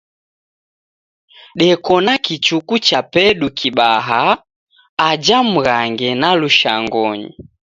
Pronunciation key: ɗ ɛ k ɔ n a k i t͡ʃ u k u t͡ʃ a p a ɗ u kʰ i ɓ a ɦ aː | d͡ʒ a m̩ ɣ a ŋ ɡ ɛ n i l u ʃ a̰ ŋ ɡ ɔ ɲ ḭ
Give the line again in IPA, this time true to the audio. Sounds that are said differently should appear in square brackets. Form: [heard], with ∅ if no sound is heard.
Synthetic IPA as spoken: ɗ ɛ k ɔ n a k i t͡ʃ u k u t͡ʃ a p [ɛ] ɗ u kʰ i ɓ a ɦ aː | d͡ʒ a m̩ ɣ a ŋ ɡ ɛ n [a] l u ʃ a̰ ŋ ɡ ɔ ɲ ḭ